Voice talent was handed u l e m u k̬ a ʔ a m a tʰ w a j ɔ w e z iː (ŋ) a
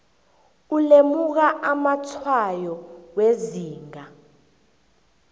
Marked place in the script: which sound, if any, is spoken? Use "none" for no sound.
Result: ŋ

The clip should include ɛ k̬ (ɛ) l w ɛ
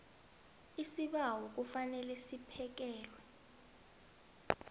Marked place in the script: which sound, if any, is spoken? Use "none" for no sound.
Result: ɛː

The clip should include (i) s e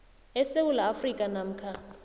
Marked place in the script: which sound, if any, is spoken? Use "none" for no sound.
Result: ɛ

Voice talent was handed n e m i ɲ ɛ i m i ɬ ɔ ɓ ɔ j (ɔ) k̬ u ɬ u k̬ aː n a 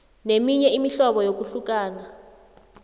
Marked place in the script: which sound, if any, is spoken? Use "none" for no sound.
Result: o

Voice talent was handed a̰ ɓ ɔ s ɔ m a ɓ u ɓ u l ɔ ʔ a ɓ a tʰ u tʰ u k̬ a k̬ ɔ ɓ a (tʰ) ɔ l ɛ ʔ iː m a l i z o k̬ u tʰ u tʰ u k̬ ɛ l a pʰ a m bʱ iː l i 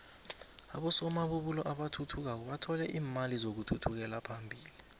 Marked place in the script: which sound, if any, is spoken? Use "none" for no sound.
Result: tʰ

